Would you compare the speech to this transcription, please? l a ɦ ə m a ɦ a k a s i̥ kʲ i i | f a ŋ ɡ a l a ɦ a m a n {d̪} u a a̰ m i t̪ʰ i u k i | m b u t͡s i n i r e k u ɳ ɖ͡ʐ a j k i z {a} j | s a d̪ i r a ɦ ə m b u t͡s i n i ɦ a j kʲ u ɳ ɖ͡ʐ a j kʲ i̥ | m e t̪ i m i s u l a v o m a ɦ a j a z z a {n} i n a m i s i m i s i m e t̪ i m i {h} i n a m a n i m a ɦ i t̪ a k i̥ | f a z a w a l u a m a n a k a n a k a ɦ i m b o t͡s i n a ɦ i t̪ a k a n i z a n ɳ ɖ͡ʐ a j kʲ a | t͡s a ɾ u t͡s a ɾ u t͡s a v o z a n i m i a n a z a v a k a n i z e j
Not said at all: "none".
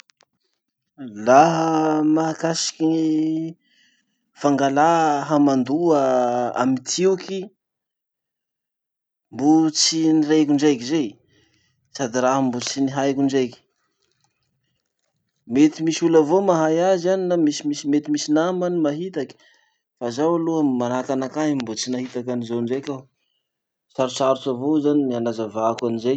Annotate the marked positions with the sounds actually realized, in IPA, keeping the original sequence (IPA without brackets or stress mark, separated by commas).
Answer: d̪, e, n, s